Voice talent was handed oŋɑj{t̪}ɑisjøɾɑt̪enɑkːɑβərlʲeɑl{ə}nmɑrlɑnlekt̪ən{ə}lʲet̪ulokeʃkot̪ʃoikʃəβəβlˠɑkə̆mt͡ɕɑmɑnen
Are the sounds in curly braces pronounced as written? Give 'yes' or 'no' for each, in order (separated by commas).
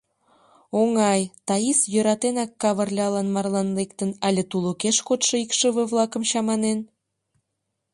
yes, no, no